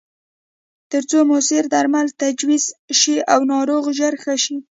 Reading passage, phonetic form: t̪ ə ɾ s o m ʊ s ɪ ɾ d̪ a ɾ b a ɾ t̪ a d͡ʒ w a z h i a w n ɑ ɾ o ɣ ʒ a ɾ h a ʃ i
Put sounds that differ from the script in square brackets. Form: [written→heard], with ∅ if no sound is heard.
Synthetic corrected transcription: t̪ ə ɾ [s→t͡s] o m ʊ s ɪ ɾ d̪ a ɾ [b→m] a [ɾ→l] t̪ a d͡ʒ w [a→i] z [h→ʃ] i a w n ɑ ɾ o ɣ ʒ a ɾ [h→x] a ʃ i